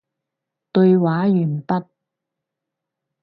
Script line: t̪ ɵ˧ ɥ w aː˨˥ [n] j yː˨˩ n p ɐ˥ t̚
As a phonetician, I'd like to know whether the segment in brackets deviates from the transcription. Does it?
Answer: yes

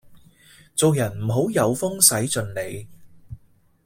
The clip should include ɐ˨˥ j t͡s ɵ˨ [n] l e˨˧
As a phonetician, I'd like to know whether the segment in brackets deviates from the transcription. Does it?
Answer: no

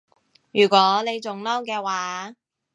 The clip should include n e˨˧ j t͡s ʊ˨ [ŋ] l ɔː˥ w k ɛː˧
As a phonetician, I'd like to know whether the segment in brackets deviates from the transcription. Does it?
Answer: no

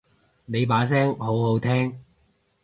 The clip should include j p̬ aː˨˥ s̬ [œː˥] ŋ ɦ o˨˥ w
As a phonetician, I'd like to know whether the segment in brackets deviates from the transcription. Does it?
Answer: yes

